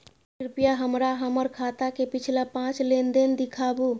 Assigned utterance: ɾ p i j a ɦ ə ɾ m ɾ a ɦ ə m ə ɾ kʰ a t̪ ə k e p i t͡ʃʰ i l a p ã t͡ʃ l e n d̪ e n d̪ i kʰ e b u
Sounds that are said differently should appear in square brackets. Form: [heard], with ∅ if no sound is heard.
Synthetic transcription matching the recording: ɾ p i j a ɦ ə [∅] m ɾ a ɦ ə m ə ɾ kʰ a t̪ [a] k e p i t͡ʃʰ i l a p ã t͡ʃ l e n d̪ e n d̪ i kʰ [a] b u